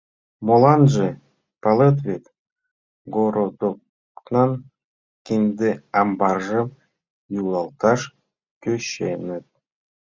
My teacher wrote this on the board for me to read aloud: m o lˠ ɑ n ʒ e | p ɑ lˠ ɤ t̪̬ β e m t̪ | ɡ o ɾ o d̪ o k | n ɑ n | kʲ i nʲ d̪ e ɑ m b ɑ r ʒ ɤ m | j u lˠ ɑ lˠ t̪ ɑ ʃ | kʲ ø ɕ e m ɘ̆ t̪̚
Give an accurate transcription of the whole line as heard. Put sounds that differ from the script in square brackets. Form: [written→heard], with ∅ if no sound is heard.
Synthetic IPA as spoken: m o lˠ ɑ n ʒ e | p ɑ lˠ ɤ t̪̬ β e [m→∅] t̪ | ɡ o ɾ o d̪ o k | n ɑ n | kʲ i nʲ d̪ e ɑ m b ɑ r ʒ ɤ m | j u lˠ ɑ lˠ t̪ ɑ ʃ | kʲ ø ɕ e [m→n] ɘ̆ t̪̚